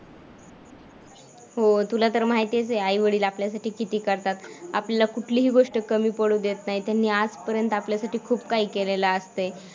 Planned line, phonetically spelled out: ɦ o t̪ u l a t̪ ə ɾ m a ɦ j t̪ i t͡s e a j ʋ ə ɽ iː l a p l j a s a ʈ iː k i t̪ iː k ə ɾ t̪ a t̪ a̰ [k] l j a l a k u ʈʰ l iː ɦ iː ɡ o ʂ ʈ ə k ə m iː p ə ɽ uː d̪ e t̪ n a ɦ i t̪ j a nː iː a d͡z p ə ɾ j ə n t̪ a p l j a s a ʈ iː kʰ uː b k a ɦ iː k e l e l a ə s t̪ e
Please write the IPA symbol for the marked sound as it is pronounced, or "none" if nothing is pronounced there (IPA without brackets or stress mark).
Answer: p